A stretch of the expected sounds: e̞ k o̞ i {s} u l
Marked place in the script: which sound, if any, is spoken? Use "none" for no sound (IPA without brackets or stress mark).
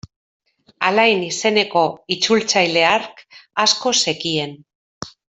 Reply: t͡s